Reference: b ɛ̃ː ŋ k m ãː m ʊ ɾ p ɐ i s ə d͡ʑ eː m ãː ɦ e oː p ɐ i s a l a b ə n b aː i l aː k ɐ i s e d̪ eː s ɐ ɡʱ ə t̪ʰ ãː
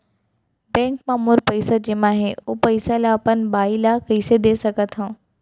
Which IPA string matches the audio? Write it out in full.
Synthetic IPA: b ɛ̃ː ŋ k m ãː m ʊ ɾ p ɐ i s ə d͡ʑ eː m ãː ɦ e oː p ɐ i s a l a p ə n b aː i l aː k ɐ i s e d̪ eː s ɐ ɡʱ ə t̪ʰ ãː

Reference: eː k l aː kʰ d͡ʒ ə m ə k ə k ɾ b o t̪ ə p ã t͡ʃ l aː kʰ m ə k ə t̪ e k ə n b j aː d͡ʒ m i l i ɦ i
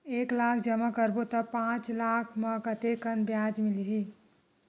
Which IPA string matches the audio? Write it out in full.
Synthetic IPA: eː k l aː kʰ d͡ʒ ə m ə k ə ɾ b o t̪ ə p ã t͡ʃ l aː kʰ m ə k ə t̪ e k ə n b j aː d͡ʒ m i l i ɦ i

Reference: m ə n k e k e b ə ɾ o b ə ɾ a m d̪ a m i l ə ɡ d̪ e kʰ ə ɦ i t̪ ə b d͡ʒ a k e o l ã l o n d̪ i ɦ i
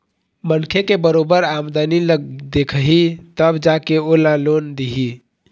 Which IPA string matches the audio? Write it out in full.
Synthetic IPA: m ə n kʰ e k e b ə ɾ o b ə ɾ a m d̪ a n i l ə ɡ d̪ e kʰ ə ɦ i t̪ ə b d͡ʒ a k e o l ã l o n d̪ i ɦ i

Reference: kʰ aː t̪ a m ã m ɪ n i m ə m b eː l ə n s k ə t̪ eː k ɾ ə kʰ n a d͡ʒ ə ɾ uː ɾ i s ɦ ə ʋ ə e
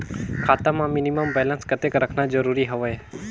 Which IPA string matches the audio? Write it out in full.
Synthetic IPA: kʰ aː t̪ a m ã m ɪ n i m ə m b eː l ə n s k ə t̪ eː k ɾ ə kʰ n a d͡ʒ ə ɾ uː ɾ i ɦ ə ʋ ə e

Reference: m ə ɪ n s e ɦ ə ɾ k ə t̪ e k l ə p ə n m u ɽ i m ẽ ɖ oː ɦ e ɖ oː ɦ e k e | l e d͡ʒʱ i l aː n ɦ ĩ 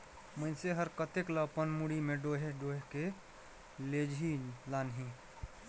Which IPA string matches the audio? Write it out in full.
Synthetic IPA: m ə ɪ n s e ɦ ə ɾ k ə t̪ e k l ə p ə n m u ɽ i m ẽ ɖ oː ɦ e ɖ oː ɦ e k e | l e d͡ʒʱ i l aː n ɦ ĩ

